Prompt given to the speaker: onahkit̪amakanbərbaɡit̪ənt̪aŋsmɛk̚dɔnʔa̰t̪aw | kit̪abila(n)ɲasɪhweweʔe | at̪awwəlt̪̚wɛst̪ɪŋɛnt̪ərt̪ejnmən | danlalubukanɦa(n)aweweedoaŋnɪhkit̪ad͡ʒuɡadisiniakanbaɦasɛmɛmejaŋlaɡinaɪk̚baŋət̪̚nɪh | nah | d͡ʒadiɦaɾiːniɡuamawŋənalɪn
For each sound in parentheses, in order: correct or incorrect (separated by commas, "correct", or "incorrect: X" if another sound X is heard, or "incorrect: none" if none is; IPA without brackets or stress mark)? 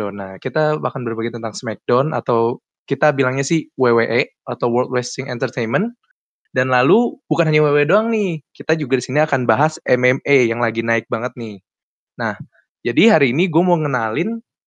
incorrect: ŋ, incorrect: ɲ